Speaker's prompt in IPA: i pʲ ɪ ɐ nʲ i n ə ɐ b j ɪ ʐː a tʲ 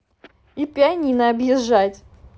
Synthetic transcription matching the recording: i pʲ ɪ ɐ nʲ i n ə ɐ b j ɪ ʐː a tʲ